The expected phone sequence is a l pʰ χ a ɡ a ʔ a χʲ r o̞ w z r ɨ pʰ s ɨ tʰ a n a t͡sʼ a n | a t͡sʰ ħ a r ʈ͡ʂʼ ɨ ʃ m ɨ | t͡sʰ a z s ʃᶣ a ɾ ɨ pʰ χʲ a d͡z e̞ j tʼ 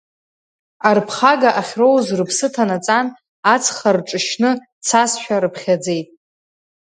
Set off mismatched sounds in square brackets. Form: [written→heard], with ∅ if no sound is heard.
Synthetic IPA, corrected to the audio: a [l→r] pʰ χ a ɡ a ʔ a χʲ r o̞ w z r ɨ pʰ s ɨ tʰ a n a t͡sʼ a n | a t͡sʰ [ħ→χ] a r ʈ͡ʂʼ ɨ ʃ [m→n] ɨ | t͡sʰ a [z→∅] s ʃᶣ a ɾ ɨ pʰ χʲ a d͡z e̞ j tʼ